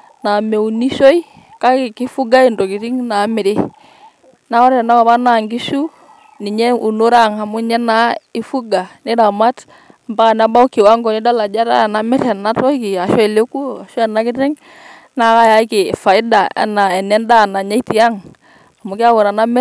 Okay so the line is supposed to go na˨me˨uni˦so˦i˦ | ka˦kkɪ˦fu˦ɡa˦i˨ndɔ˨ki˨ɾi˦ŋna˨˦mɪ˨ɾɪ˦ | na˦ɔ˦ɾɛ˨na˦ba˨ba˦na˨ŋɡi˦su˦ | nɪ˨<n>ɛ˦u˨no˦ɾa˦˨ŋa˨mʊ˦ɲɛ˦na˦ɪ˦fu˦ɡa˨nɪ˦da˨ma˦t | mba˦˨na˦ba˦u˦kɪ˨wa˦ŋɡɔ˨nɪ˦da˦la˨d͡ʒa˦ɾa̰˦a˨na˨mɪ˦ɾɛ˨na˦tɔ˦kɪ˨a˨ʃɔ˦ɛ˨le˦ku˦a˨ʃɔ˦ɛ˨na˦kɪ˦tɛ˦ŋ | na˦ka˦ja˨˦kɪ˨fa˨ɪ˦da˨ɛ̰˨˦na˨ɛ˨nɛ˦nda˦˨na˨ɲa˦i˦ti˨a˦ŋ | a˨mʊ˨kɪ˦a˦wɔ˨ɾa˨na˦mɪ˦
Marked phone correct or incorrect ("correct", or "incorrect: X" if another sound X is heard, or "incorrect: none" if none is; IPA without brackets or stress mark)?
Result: incorrect: ɲ